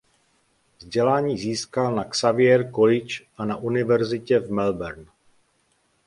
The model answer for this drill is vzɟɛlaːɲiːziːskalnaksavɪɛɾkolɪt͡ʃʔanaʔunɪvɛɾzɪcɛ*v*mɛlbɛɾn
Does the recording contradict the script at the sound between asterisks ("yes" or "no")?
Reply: no